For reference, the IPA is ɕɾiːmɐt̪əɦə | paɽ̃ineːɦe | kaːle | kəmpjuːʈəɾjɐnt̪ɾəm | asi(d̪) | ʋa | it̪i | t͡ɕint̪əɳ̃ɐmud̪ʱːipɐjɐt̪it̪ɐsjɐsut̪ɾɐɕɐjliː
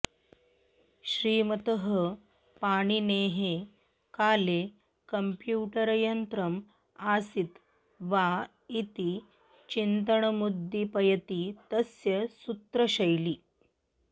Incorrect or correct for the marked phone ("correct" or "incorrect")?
incorrect